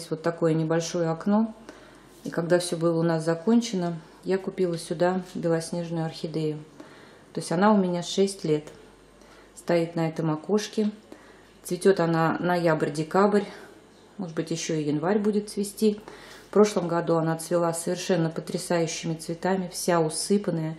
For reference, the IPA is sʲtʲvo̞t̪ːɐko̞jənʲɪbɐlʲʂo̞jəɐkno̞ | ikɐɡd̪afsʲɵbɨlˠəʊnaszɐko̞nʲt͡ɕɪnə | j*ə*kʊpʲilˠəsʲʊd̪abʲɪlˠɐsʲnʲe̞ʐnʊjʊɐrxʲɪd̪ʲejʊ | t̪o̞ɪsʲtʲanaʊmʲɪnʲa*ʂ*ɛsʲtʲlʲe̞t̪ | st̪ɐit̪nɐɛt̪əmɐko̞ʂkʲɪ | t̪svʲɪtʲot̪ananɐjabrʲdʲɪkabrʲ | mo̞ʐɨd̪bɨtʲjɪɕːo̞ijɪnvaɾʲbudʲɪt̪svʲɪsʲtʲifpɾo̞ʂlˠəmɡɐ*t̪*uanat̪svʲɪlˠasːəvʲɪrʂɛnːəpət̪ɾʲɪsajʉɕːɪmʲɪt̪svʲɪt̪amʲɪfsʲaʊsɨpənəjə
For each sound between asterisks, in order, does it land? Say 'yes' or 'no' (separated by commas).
no, yes, no